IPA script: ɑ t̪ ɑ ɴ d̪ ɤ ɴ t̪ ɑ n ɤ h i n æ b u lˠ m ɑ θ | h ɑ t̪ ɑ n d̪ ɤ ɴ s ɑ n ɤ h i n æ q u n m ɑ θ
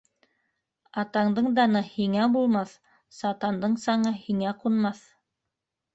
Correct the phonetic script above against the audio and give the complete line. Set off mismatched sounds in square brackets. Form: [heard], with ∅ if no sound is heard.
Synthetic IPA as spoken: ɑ t̪ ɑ ɴ d̪ ɤ ɴ [d̪] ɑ n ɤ h i [ŋ] æ b u lˠ m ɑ θ | [s] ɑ t̪ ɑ n d̪ ɤ ɴ s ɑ [ɴ] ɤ h i [ŋ] æ q u n m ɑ θ